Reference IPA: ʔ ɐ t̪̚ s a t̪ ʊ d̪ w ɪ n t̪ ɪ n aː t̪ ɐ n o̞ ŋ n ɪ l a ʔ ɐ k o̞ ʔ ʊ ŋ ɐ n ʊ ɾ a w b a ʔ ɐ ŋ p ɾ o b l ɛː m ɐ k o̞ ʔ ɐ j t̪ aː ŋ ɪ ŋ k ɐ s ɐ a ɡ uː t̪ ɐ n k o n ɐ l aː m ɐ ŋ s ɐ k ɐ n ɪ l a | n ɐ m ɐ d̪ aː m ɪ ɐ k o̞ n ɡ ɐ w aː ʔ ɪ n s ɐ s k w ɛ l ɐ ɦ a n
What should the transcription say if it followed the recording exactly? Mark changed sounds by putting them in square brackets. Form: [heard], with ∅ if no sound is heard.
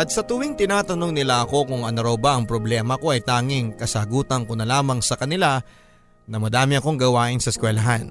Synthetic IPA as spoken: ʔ ɐ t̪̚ s [ɐ] t̪ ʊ [∅] w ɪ [ŋ] t̪ ɪ n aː t̪ ɐ n o̞ ŋ n ɪ l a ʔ ɐ k o̞ [k] ʊ ŋ ɐ n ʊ ɾ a w b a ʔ ɐ ŋ p ɾ o b l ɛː m ɐ k o̞ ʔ ɐ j t̪ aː ŋ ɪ ŋ k ɐ s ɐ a ɡ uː t̪ ɐ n k o n ɐ l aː m ɐ ŋ s ɐ k ɐ n ɪ l a | n ɐ m ɐ d̪ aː m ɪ ɐ k o̞ [ŋ] ɡ ɐ w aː ʔ ɪ n s ɐ s k w ɛ l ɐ ɦ a n